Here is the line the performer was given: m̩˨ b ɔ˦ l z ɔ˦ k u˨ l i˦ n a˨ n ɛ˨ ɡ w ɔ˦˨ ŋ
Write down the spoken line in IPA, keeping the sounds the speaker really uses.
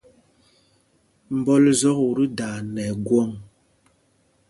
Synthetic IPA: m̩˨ b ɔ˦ l z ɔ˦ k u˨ ɾ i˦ d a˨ n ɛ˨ ɡ w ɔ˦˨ ŋ